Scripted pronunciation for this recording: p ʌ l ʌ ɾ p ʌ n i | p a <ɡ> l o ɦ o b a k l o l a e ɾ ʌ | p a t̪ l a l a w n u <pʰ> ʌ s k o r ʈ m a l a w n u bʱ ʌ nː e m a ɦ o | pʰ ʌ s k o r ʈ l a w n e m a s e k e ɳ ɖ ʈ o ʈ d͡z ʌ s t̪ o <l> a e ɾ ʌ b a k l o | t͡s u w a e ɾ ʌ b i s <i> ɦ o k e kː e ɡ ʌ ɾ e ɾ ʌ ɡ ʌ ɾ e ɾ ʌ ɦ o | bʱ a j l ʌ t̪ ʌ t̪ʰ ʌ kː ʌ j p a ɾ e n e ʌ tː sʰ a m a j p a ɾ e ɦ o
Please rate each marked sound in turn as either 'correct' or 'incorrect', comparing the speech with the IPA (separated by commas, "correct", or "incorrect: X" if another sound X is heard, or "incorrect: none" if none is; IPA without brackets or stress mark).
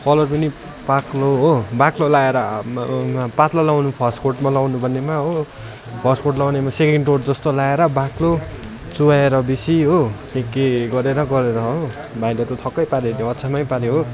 incorrect: k, correct, correct, correct